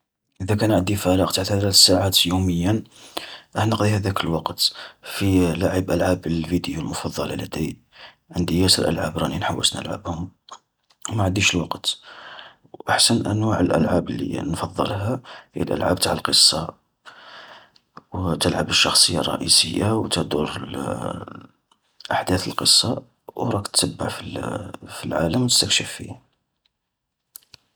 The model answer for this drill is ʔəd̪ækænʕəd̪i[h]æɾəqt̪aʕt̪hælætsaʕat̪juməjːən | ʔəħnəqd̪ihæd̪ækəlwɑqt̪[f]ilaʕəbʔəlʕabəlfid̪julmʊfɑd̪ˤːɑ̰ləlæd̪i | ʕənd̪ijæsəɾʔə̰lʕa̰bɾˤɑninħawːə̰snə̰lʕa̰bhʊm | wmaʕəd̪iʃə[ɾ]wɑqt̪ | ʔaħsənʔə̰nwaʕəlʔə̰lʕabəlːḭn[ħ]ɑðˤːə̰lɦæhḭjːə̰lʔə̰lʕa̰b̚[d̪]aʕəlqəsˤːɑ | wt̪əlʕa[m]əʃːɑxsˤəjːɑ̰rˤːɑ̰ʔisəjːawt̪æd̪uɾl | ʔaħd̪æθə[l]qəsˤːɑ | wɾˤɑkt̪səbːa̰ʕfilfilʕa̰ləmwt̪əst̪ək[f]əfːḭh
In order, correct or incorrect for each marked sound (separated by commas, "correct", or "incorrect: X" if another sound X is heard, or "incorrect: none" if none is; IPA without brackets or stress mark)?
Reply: incorrect: f, correct, incorrect: l, incorrect: f, incorrect: t̪, incorrect: b, correct, incorrect: ʃ